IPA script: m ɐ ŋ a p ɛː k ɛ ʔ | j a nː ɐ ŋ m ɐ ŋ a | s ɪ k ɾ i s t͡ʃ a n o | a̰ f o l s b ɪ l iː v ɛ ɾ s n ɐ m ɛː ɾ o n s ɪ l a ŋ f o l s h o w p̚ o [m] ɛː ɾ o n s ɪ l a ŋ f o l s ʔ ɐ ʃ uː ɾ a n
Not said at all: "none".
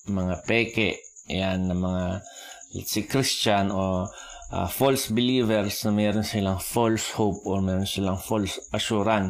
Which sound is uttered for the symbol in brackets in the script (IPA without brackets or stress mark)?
m